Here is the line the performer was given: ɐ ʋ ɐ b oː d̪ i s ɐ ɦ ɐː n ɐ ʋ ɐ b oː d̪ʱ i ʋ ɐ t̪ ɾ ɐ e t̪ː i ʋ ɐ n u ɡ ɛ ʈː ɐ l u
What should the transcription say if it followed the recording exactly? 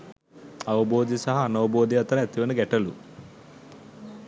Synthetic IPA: ɐ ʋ ɐ b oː d̪ i s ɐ ɦ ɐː n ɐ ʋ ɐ b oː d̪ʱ i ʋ ɐ t̪ ɾ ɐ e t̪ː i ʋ ɐ n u ɡ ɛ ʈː ɐ l u